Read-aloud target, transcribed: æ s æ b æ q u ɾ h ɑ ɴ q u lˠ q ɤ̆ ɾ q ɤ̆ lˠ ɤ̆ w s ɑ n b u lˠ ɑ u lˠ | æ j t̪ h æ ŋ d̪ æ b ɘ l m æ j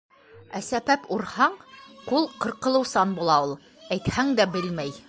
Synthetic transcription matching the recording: æ s æ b æ p u ɾ h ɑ ɴ q u lˠ q ɤ̆ ɾ q ɤ̆ lˠ ɤ̆ w s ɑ n b u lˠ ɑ u lˠ | æ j t̪ h æ ŋ d̪ æ b ɘ l m æ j

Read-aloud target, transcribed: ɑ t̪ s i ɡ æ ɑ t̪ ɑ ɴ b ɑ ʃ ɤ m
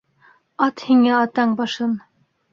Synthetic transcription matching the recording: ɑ t̪ h i ŋ æ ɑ t̪ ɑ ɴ b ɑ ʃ ɤ n

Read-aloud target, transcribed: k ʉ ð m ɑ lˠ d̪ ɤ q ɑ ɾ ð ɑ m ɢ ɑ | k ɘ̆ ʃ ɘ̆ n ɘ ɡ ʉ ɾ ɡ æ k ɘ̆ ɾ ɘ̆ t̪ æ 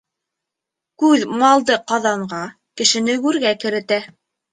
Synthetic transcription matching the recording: k ʉ ð m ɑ lˠ d̪ ɤ q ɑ ð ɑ ɴ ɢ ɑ | k ɘ̆ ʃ ɘ̆ n ɘ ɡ ʉ ɾ ɡ æ k ɘ̆ ɾ ɘ̆ t̪ æ

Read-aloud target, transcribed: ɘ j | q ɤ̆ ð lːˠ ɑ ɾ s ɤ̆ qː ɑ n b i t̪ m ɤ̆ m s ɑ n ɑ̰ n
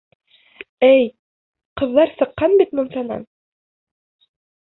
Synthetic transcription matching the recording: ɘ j | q ɤ̆ ð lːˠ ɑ ɾ s ɤ̆ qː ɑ n b i t̪ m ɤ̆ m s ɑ n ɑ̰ n

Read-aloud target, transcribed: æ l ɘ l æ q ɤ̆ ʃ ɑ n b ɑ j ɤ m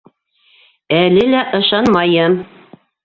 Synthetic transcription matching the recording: æ l ɘ l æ ʔ ɤ̆ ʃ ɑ n m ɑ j ɤ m

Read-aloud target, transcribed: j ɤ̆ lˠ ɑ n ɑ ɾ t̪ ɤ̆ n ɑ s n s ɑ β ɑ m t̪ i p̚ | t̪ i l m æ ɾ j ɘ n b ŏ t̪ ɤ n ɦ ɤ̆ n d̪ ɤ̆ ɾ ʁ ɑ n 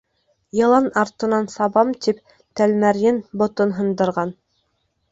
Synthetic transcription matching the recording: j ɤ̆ lˠ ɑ n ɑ ɾ t̪ ɤ̆ n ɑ n s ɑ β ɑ m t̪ i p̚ | t̪ æ l m æ ɾ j ɘ n b ŏ t̪ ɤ n ɦ ɤ̆ n d̪ ɤ̆ ɾ ʁ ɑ n

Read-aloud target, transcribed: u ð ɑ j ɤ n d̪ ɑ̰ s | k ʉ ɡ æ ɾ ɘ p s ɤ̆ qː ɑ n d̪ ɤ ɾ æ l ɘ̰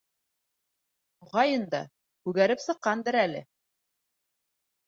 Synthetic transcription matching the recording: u ʁ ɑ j ɤ n d̪ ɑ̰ | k ʉ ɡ æ ɾ ɘ p s ɤ̆ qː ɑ n d̪ ɤ ɾ æ l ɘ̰

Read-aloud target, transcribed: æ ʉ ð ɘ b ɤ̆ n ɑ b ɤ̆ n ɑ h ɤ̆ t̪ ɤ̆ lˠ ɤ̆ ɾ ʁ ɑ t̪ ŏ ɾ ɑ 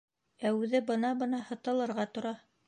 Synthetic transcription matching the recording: æ ʉ ð ɘ b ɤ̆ n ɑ b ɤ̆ n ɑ h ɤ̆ t̪ ɤ̆ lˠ ɤ̆ ɾ ʁ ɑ t̪ ŏ ɾ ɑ

